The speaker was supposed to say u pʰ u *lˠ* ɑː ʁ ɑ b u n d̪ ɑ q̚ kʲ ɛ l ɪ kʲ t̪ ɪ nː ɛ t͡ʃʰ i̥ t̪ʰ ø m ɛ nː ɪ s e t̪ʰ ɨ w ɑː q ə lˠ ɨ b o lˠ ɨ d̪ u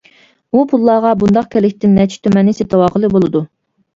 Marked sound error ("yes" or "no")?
yes